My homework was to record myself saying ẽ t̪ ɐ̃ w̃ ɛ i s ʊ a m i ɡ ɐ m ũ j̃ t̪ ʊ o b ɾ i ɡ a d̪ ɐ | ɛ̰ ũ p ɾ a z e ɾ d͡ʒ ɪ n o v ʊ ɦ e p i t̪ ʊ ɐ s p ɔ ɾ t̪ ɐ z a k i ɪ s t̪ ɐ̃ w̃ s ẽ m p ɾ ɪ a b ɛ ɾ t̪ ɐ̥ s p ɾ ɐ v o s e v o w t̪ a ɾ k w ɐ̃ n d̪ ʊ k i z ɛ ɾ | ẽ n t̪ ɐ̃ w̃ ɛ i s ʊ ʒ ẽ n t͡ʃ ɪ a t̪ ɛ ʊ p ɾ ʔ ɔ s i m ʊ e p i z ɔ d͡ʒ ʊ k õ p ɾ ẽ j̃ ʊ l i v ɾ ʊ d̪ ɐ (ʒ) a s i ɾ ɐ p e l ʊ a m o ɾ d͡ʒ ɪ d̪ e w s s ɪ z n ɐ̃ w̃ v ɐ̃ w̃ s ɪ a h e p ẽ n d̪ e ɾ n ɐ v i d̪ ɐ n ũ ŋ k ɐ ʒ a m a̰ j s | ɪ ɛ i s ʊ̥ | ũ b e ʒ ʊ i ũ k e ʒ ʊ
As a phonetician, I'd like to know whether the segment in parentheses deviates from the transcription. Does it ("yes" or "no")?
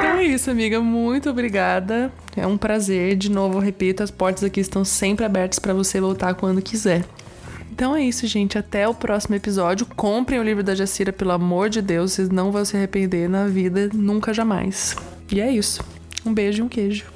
no